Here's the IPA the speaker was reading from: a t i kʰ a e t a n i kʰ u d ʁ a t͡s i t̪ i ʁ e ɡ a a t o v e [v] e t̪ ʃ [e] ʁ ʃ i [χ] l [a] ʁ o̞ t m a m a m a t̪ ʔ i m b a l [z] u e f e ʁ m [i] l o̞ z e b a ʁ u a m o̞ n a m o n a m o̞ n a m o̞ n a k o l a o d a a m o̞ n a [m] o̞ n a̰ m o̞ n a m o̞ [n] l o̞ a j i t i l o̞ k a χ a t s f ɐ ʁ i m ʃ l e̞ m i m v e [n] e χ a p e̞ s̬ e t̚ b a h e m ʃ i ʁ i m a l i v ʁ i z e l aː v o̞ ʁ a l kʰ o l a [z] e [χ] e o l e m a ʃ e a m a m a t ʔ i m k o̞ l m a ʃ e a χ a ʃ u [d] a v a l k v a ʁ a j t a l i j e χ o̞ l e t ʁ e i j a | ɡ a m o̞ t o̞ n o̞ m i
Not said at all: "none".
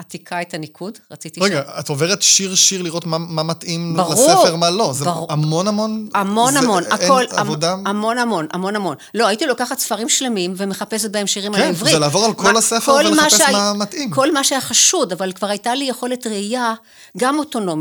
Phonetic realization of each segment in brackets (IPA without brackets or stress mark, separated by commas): ʁ, i, ʁ, i, ʁ, a, m, n, m, s, f, d